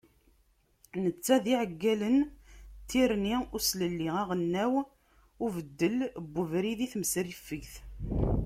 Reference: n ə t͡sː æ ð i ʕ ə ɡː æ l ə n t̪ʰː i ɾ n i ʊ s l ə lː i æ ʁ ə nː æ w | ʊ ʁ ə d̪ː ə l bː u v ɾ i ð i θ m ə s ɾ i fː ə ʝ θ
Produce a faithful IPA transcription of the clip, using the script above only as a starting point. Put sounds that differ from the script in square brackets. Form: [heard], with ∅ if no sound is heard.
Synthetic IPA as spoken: n ə t͡sː æ ð i ʕ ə ɡː æ l ə n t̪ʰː i ɾ n i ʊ s l ə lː i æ ʁ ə nː æ w | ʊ [v] ə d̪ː ə l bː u v ɾ i ð i θ m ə s ɾ i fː ə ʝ θ